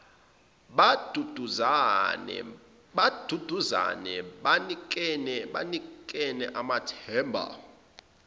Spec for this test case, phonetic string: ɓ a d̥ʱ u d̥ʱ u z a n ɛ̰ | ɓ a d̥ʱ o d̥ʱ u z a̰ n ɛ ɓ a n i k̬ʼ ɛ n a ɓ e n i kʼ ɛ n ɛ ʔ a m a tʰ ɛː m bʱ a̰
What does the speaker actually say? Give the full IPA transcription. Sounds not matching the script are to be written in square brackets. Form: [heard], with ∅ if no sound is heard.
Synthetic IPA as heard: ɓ a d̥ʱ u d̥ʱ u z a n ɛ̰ | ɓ a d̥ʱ [u] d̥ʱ u z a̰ n ɛ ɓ a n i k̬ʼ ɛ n [ɛ] ɓ [a] n i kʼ ɛ n ɛ ʔ a m a tʰ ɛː m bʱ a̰

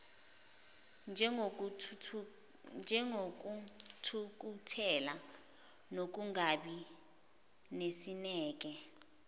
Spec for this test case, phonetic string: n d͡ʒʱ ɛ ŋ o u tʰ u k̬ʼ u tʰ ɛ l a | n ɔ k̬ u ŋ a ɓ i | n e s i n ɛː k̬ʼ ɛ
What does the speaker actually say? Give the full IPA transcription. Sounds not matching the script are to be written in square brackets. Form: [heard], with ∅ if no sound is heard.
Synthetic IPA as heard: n d͡ʒʱ ɛ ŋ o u tʰ u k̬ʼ u tʰ ɛ l a | n [o] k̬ u ŋ a ɓ i | n e s i n ɛː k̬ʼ ɛ

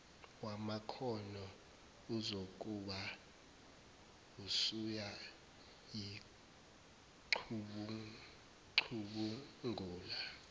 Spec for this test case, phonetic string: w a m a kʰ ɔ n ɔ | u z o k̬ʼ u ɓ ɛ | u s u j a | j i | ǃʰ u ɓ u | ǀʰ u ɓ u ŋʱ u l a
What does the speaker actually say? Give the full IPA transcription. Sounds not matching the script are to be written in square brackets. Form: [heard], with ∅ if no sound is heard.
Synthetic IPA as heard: w a m a kʰ ɔ n ɔ | u z o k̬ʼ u ɓ [a] | u s u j a | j i | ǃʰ u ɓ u | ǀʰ u ɓ u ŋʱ [uː] l a

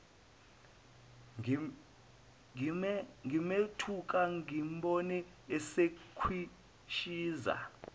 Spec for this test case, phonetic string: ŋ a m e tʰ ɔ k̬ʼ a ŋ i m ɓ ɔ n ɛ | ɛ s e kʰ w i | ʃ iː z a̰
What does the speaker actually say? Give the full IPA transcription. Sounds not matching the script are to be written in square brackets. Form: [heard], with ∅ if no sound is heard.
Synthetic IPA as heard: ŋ [i] m e tʰ [u] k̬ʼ a ŋ i m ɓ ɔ n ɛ | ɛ s e kʰ w i | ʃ iː z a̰

